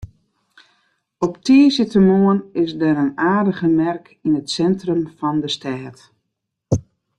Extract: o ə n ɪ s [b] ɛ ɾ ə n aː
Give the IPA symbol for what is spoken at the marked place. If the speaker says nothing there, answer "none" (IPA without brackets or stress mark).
d